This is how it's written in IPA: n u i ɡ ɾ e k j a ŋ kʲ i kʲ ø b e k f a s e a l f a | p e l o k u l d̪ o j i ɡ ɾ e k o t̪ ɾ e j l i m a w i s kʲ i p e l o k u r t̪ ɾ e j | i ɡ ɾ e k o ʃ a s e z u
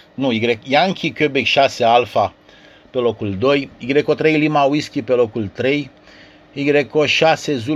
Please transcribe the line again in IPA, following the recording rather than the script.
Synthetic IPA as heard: n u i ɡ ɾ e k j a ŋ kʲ i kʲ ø b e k ʃ a s e a l f a | p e l o k u l d̪ o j i ɡ ɾ e k o t̪ ɾ e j l i m a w i s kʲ i p e l o k u l t̪ ɾ e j | i ɡ ɾ e k o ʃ a s e z u